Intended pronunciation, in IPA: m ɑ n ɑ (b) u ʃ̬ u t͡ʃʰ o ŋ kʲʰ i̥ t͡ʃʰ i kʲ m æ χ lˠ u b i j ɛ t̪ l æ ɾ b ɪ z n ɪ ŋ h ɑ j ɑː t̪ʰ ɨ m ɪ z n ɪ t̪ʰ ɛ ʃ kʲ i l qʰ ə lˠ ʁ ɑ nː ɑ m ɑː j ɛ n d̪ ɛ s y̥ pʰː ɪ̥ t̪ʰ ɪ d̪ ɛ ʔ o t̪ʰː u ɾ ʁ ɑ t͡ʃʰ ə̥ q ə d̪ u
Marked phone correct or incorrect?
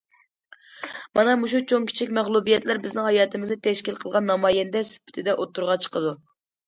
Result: incorrect